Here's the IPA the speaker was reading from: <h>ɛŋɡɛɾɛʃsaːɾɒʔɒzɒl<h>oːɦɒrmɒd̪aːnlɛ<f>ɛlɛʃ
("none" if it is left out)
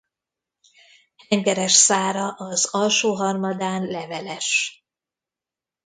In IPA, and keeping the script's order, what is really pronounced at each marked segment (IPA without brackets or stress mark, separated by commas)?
h, ʃ, v